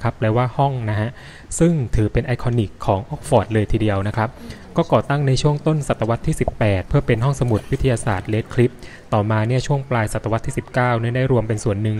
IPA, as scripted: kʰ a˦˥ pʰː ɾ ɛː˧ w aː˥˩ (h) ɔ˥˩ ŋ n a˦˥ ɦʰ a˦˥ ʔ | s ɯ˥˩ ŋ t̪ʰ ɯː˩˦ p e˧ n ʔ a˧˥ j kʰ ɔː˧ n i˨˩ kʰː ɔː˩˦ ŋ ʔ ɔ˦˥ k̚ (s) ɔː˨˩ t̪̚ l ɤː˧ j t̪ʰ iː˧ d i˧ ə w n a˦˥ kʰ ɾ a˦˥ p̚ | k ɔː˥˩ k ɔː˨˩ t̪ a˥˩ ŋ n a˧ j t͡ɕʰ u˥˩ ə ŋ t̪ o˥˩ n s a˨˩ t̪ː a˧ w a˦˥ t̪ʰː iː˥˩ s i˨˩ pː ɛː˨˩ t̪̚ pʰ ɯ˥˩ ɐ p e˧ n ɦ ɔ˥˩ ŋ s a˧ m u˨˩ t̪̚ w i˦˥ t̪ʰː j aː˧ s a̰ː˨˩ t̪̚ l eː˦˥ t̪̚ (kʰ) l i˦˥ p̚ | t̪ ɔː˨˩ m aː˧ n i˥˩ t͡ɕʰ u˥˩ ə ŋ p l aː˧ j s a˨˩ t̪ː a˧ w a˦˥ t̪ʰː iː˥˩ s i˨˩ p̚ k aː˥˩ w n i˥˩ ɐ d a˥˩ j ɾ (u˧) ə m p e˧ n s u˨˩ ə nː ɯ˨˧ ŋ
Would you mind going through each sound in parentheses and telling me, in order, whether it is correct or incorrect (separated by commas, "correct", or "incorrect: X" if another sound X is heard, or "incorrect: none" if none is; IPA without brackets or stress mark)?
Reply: correct, incorrect: f, correct, correct